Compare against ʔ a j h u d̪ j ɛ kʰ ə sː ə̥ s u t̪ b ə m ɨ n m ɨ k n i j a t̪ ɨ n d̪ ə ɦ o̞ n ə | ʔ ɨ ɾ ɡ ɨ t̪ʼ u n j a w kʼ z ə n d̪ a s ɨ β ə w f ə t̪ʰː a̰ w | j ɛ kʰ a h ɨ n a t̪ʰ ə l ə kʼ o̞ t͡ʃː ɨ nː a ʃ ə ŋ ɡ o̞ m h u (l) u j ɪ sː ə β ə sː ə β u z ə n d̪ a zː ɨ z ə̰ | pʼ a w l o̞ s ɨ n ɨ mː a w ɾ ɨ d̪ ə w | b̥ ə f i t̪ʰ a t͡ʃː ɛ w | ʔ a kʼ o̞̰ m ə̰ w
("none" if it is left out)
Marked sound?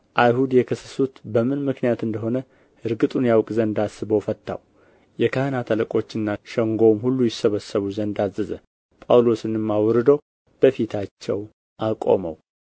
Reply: lː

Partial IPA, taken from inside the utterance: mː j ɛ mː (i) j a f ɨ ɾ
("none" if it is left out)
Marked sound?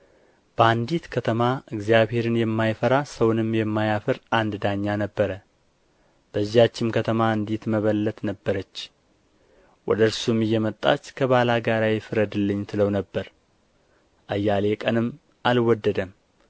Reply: a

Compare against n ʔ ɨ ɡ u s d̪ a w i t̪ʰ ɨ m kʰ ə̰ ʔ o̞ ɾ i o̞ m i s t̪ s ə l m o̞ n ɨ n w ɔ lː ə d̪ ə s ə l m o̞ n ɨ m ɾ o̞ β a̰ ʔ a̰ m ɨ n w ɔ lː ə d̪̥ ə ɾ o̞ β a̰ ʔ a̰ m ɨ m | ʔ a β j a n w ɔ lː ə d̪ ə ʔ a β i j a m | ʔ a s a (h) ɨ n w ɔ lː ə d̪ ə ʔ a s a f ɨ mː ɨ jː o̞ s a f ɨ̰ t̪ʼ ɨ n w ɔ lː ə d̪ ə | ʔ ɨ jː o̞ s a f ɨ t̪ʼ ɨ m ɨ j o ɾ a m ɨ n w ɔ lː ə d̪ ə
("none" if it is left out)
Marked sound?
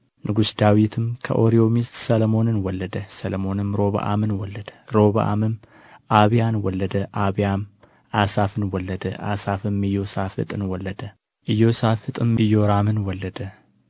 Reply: f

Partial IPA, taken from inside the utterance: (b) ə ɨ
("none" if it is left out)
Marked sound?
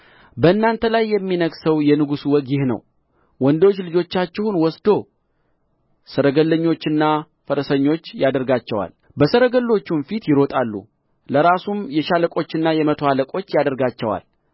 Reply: b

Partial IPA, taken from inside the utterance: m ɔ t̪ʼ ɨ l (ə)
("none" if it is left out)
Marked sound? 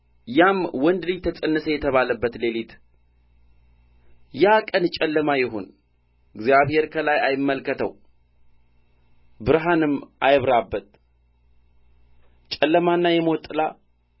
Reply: a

